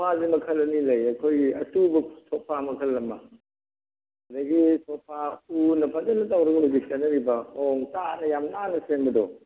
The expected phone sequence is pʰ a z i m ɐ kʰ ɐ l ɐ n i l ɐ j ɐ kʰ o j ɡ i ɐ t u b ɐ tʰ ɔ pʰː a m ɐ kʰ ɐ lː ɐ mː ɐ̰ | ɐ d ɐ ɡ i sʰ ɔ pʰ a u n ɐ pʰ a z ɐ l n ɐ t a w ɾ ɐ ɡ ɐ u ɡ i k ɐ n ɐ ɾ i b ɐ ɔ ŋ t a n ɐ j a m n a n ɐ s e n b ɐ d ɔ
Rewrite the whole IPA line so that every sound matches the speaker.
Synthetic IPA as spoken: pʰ a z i m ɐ kʰ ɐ l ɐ n i l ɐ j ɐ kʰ o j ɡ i ɐ t u b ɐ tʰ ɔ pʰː a m ɐ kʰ ɐ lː ɐ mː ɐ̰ | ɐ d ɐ ɡ i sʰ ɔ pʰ a u n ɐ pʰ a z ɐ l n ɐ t a w ɾ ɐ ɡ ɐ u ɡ i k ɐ n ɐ ɾ i b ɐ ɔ ŋ t a n ɐ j a m n a n ɐ s e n b ɐ d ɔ